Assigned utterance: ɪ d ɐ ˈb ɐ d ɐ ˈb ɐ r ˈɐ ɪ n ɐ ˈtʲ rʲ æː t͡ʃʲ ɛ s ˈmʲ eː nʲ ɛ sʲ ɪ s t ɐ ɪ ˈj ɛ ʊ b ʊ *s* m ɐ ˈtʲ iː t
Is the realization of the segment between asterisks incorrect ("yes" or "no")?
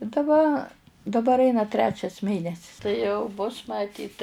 no